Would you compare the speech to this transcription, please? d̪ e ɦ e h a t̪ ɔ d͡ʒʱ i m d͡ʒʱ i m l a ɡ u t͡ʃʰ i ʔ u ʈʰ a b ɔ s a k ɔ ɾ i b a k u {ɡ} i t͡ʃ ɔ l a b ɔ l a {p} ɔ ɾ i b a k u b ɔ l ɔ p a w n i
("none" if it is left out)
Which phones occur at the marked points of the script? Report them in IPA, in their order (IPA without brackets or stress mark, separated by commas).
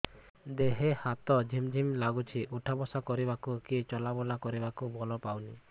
k, k